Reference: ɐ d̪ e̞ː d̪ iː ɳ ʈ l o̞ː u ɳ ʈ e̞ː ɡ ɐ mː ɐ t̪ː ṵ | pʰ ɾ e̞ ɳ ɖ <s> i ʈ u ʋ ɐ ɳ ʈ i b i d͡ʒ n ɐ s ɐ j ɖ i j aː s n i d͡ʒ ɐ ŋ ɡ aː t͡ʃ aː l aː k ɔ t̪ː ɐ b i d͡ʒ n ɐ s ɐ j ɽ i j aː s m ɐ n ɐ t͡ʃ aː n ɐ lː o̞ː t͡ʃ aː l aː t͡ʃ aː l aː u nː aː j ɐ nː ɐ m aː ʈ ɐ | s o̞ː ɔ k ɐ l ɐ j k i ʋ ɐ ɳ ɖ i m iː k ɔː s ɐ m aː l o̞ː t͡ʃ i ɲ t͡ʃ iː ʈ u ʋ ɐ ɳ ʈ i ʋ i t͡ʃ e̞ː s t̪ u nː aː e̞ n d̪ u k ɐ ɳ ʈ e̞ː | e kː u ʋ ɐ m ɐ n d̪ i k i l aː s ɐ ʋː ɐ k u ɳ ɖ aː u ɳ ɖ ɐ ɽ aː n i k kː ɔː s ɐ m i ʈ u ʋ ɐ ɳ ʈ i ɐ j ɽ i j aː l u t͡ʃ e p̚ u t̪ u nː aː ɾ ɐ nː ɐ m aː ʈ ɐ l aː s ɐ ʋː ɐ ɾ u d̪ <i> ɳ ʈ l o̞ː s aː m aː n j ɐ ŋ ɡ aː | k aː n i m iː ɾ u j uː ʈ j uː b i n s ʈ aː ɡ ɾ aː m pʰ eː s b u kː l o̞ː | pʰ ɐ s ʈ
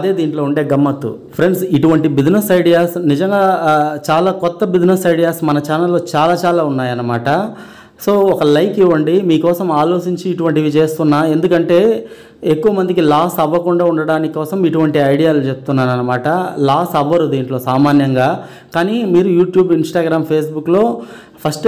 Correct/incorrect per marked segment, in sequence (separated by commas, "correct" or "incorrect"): correct, incorrect